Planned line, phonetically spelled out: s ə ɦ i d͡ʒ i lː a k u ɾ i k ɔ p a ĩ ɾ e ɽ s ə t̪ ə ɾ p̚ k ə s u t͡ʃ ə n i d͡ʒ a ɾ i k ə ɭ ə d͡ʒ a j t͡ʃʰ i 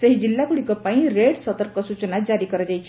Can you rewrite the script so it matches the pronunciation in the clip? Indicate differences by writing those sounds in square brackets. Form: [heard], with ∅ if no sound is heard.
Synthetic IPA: s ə ɦ i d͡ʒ i lː a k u [ɽ] i k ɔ p a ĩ ɾ e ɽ s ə t̪ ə ɾ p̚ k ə s u t͡ʃ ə n [a] d͡ʒ a ɾ i k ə [ɾ] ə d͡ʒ a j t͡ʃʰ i